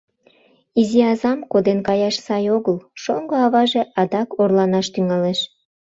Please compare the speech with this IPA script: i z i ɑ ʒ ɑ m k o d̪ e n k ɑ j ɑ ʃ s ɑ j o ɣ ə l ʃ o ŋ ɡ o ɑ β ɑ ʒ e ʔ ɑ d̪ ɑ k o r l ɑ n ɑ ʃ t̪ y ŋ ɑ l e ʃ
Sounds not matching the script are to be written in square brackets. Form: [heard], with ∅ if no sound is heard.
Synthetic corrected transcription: i z i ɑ [z] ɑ m k o d̪ e n k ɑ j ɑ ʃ s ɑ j o ɣ ə l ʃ o ŋ ɡ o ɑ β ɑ ʒ e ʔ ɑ d̪ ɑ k o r l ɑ n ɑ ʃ t̪ y ŋ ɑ l e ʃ